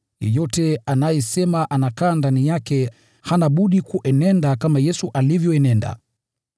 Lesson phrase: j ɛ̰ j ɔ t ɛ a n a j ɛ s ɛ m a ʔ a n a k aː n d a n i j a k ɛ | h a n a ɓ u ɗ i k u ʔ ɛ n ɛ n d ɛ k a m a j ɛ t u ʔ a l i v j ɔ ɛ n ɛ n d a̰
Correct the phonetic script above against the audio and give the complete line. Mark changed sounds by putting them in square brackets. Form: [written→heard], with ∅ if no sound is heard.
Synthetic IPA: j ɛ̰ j ɔ t ɛ a n a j ɛ s ɛ m a ʔ a n a k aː n d a n i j a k ɛ | h a n a ɓ u ɗ i k u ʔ ɛ n ɛ n d [ɛ→a] k a m a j ɛ [t→s] u ʔ a l i v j ɔ ɛ n ɛ n d a̰